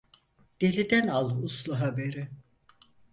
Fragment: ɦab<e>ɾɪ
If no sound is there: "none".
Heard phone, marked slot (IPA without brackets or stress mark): e